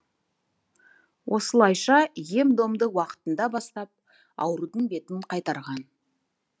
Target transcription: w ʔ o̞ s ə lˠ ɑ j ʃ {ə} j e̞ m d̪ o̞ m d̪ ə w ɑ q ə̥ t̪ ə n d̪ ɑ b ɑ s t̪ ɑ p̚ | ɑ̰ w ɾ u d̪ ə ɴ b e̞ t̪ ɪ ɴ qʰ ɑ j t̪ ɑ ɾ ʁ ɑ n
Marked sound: incorrect: ɑ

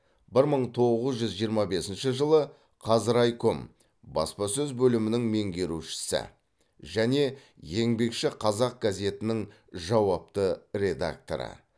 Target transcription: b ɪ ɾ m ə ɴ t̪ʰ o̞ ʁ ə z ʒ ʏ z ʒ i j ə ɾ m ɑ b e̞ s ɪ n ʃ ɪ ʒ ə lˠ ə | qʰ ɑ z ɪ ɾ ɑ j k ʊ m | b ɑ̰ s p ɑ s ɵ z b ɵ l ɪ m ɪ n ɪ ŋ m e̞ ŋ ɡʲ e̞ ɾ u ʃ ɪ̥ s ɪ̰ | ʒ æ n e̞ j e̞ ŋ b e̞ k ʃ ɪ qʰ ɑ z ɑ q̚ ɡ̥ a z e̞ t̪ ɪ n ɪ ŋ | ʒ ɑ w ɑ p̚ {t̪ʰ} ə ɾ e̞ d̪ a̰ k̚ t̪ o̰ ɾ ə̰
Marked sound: incorrect: t̪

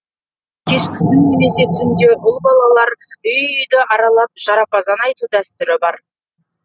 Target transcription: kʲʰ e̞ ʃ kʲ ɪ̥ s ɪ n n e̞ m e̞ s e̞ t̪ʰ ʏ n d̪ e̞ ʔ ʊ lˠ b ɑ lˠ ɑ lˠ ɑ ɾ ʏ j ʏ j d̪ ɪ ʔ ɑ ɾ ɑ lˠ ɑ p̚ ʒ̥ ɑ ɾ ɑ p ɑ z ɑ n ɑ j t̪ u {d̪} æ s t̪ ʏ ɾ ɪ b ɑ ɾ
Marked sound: correct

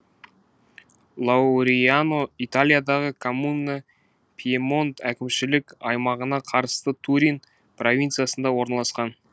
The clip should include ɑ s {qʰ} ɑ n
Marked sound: incorrect: q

